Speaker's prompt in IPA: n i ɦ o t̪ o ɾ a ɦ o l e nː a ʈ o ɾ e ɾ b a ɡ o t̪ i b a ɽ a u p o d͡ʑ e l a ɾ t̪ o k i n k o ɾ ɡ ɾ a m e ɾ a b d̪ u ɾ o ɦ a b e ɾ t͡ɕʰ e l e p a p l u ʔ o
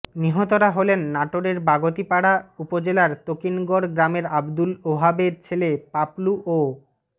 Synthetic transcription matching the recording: n i ɦ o t̪ o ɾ a ɦ o l e nː a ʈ o ɾ e ɾ b a ɡ o t̪ i p a ɽ a u p o d͡ʑ e l a ɾ t̪ o k i n ɡ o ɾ ɡ ɾ a m e ɾ a b d̪ u l o ɦ a b e ɾ t͡ɕʰ e l e p a p l u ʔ o